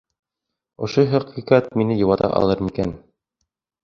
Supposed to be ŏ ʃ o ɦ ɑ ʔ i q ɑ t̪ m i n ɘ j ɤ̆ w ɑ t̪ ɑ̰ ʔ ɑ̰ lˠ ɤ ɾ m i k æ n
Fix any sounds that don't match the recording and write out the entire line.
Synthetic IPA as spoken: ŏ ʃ o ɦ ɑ q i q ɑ t̪ m i n ɘ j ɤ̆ w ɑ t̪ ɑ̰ ʔ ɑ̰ lˠ ɤ ɾ m i k æ n

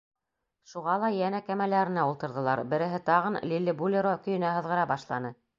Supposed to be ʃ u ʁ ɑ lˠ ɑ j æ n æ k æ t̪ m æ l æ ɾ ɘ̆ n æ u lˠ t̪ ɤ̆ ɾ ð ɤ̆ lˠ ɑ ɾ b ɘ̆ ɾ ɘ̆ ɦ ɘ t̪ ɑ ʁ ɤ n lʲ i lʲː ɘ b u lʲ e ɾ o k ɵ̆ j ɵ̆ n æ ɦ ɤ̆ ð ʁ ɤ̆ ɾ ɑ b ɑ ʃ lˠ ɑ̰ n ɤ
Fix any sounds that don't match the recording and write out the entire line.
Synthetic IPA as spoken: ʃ u ʁ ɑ lˠ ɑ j æ n æ k æ m æ l æ ɾ ɘ̆ n æ u lˠ t̪ ɤ̆ ɾ ð ɤ̆ lˠ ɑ ɾ b ɘ̆ ɾ ɘ̆ ɦ ɘ t̪ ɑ ʁ ɤ n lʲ i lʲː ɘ b u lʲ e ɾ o k ɵ̆ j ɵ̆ n æ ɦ ɤ̆ ð ʁ ɤ̆ ɾ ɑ b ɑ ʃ lˠ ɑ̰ n ɤ

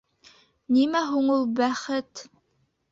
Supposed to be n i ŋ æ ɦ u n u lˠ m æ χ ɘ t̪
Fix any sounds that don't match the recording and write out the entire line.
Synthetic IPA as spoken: n i m æ ɦ u ɴ u lˠ b æ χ ɘ t̪

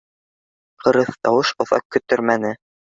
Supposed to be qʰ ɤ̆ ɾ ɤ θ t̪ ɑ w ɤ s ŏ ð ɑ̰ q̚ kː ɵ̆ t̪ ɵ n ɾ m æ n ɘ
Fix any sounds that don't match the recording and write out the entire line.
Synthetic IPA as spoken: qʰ ɤ̆ ɾ ɤ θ t̪ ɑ w ɤ ʃ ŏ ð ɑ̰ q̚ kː ɵ̆ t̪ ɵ ɾ m æ n ɘ

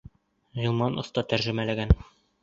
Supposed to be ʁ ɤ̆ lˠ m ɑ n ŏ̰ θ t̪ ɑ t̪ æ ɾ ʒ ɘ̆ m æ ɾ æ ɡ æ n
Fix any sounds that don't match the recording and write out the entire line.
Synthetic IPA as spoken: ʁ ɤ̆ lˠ m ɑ n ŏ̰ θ t̪ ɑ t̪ æ ɾ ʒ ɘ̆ m æ l æ ɡ æ n

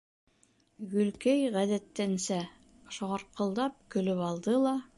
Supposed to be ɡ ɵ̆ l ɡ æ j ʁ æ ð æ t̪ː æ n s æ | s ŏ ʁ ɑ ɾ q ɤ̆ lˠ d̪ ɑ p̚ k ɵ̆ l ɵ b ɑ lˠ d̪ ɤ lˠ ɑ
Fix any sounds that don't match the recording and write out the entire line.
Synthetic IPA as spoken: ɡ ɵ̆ l k æ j ʁ æ ð æ t̪ː æ n s æ | ʃ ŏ ʁ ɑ ɾ q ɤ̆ lˠ d̪ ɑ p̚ k ɵ̆ l ɵ p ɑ lˠ d̪ ɤ lˠ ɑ

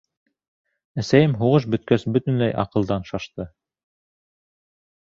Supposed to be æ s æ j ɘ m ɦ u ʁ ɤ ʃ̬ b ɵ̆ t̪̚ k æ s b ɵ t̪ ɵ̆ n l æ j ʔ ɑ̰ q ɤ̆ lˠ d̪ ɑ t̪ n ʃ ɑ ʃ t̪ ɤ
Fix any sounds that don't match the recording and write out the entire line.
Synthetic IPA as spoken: æ s æ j ɘ m ɦ u ʁ ɤ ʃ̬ b ɵ̆ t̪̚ k æ s b ɵ t̪ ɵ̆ n l æ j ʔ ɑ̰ q ɤ̆ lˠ d̪ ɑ n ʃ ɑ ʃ t̪ ɤ

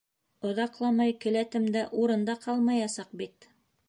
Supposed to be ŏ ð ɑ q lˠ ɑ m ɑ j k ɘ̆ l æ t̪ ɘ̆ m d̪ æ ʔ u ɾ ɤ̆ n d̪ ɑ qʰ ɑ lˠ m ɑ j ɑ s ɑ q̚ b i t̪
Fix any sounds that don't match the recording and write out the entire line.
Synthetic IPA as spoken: ŏ ð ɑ q lˠ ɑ m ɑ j k ɘ̆ l æ t̪ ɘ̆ m d̪ æ ʔ u ɾ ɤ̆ n d̪ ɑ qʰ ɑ lˠ m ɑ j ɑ s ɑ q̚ b i t̪

